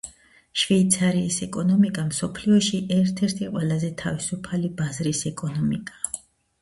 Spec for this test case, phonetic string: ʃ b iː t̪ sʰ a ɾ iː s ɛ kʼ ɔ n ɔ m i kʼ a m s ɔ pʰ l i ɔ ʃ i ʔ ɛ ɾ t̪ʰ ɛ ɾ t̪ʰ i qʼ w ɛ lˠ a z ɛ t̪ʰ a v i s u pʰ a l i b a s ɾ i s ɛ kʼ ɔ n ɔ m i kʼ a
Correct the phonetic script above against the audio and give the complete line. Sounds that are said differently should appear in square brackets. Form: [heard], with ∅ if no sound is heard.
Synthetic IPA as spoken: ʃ [v] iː t̪ sʰ a ɾ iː s ɛ kʼ ɔ n ɔ m i kʼ a m s ɔ pʰ l i ɔ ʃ i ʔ ɛ ɾ t̪ʰ ɛ ɾ t̪ʰ i qʼ w ɛ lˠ a z ɛ t̪ʰ a v i s u pʰ a l i b a [z] ɾ i s ɛ kʼ ɔ n ɔ m i kʼ a